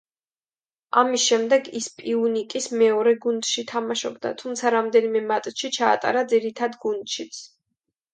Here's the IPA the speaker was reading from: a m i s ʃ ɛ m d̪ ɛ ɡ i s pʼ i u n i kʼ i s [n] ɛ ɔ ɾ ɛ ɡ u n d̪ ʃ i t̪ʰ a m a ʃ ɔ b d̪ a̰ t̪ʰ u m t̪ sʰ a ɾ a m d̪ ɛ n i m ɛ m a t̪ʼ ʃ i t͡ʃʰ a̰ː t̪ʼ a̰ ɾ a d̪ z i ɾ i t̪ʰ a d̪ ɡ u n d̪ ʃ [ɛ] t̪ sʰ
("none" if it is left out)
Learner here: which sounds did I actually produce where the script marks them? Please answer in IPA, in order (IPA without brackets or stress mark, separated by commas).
m, i